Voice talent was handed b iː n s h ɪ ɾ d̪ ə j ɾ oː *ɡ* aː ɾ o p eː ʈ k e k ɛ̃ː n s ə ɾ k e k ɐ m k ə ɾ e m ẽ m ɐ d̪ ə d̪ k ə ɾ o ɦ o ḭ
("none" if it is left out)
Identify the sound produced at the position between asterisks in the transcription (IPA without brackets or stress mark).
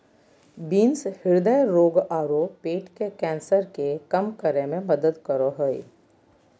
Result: ɡ